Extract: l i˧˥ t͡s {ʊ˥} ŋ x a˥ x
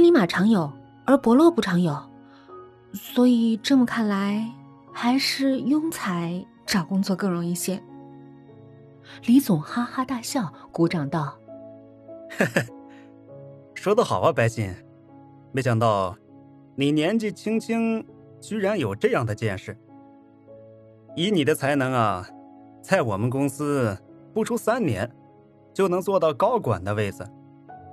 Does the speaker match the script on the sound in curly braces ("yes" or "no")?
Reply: no